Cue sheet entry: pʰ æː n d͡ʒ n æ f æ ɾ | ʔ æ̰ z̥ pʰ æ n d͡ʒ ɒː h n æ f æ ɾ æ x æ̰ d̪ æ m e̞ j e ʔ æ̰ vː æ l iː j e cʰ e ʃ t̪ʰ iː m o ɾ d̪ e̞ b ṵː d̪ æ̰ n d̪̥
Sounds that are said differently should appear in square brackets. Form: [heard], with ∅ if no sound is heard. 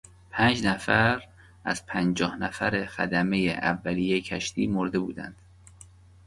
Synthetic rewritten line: pʰ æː n d͡ʒ n æ f æ ɾ | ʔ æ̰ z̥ pʰ æ n d͡ʒ ɒː h n æ f æ ɾ [e] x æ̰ d̪ æ m e̞ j e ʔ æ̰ vː æ l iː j e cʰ [æ] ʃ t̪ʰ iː m o ɾ d̪ e̞ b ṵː d̪ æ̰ n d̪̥

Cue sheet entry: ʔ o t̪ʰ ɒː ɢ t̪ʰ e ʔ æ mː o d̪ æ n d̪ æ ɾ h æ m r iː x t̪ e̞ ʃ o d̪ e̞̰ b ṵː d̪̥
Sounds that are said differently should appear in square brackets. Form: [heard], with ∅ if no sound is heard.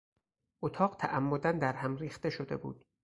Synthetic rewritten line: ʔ o t̪ʰ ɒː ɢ t̪ʰ [æ] ʔ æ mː o d̪ æ n d̪ æ ɾ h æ m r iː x t̪ e̞ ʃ o d̪ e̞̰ b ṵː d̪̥

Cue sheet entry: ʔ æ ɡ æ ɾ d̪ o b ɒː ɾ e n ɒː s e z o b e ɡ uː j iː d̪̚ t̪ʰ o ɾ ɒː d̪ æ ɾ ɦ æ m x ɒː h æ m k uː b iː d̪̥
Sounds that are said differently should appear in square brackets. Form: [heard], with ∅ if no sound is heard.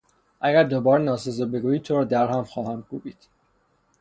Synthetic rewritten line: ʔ æ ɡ æ ɾ d̪ o b ɒː ɾ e n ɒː s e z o b e ɡ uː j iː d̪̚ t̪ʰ o ɾ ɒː d̪ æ ɾ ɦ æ m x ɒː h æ m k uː b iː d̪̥

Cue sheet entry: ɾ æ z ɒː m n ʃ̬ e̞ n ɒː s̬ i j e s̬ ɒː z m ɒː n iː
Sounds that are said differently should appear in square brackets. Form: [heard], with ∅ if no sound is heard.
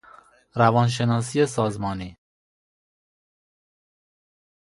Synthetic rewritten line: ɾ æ [v] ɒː [∅] n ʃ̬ e̞ n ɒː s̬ i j e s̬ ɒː z m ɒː n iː

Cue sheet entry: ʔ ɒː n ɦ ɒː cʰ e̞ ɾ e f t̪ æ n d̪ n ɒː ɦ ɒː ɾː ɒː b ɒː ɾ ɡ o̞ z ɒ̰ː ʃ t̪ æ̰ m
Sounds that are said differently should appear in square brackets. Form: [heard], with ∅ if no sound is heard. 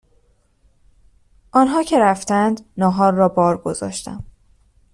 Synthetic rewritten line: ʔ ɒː n ɦ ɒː cʰ e̞ ɾ [æ] f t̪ æ n d̪ n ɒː ɦ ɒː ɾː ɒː b ɒː ɾ ɡ o̞ z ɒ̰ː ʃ t̪ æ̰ m

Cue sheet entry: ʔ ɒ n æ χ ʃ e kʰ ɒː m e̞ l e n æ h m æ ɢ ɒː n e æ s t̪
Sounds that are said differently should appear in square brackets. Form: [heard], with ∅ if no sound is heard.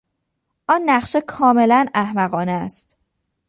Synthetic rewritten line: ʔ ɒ [nː] æ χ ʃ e kʰ ɒː m e̞ l [æ] n æ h m æ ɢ ɒː n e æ s t̪

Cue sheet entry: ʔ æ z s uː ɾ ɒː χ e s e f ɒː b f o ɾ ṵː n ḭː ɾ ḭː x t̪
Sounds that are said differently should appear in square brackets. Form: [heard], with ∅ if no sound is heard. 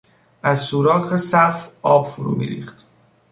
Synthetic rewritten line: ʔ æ z s uː ɾ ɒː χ e s [æ] f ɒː b f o ɾ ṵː [m] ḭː ɾ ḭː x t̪

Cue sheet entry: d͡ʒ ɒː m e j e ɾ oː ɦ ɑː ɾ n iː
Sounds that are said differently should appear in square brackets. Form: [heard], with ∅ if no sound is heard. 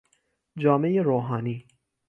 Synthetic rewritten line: d͡ʒ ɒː m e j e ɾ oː ɦ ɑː [∅] n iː

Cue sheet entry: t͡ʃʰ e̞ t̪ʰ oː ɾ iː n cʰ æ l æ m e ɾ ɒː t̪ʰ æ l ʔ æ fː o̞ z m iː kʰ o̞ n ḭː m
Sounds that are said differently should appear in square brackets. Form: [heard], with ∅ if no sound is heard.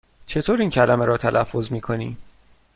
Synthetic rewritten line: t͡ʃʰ e̞ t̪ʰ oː ɾ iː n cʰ æ l æ m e ɾ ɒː t̪ʰ æ l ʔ æ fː o̞ z m iː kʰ o̞ n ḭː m

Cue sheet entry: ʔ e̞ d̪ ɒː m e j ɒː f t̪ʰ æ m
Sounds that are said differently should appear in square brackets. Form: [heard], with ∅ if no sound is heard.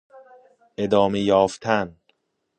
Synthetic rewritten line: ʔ e̞ d̪ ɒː m e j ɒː f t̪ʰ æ [n]

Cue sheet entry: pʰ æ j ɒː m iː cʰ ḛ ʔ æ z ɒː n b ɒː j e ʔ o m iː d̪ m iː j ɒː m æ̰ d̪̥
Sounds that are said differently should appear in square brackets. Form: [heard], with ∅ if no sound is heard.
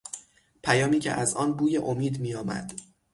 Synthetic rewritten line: pʰ æ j ɒː m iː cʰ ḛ ʔ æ z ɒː n b [uː] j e ʔ o m iː d̪ m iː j ɒː m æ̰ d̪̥

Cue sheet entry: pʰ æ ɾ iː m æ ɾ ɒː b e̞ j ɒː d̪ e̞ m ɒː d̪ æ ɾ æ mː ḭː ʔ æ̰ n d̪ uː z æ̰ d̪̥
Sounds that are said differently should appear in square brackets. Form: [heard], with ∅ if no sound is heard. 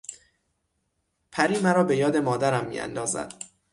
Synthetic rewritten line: pʰ æ ɾ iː m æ ɾ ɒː b e̞ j ɒː d̪ e̞ m ɒː d̪ æ ɾ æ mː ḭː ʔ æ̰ n d̪ [ɒː] z æ̰ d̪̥

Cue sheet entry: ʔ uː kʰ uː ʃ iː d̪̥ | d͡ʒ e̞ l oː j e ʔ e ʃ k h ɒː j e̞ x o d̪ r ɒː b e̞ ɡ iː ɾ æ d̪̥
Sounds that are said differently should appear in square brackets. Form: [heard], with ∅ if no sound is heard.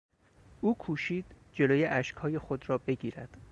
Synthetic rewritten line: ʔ uː kʰ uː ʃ iː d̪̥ | d͡ʒ e̞ l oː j e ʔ [æ] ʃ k h ɒː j e̞ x o d̪ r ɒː b e̞ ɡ iː ɾ æ d̪̥

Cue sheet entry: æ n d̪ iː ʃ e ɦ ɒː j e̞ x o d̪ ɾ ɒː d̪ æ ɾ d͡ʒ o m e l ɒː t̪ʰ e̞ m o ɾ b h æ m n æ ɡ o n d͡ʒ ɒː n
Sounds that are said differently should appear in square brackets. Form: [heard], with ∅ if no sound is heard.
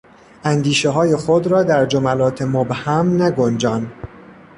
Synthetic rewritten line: æ n d̪ iː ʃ e ɦ ɒː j e̞ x o d̪ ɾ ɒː d̪ æ ɾ d͡ʒ o m [æ] l ɒː t̪ʰ e̞ m o [∅] b h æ m n æ ɡ o n d͡ʒ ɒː n

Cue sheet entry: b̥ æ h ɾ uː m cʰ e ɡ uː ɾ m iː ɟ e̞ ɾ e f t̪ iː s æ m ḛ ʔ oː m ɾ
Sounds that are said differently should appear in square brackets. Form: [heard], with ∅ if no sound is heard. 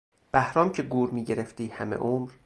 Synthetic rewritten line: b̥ æ h ɾ [ɒː] m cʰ e ɡ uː ɾ m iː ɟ e̞ ɾ e f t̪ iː [h] æ m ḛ ʔ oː m ɾ

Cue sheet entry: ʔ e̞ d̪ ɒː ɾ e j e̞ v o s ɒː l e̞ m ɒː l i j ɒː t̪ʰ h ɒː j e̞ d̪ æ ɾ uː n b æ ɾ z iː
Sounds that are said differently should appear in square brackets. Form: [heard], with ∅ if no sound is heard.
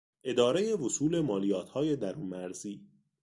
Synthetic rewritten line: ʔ e̞ d̪ ɒː ɾ e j e̞ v o s [uː] l e̞ m ɒː l i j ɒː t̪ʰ h ɒː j e̞ d̪ æ ɾ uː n [m] æ ɾ z iː

